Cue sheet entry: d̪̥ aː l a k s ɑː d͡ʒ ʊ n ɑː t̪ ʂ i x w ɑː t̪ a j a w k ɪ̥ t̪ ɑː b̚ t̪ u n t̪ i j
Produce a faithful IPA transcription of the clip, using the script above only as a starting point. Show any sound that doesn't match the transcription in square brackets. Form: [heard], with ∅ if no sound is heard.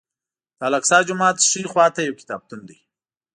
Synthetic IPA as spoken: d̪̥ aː l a k s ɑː d͡ʒ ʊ [m] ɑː t̪ ʂ i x w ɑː t̪ a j a w k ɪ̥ t̪ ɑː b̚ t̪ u n [d̪] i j